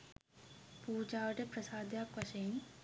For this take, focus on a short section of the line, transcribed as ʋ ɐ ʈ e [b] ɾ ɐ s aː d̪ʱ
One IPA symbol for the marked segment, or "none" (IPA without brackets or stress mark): p